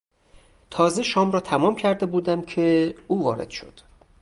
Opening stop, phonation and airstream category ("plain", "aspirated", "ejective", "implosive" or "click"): aspirated